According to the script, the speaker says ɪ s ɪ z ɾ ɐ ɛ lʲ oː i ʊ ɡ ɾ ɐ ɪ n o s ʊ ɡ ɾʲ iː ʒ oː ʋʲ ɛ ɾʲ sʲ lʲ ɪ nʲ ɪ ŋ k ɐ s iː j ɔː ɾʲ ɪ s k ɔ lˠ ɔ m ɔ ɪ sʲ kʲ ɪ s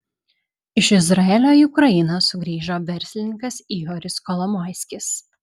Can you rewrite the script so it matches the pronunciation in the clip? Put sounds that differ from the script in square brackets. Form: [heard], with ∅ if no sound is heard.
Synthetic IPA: ɪ [ʃ] ɪ z ɾ ɐ ɛ lʲ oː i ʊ [k] ɾ ɐ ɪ n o s ʊ ɡ ɾʲ iː ʒ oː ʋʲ ɛ ɾʲ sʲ lʲ ɪ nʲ ɪ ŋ k ɐ s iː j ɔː ɾʲ ɪ s k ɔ lˠ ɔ m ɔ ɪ sʲ kʲ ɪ s